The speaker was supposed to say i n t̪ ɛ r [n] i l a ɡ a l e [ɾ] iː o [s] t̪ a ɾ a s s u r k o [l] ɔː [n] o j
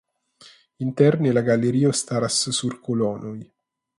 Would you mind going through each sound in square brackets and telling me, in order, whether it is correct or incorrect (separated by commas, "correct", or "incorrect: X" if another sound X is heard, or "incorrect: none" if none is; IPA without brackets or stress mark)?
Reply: correct, correct, correct, correct, correct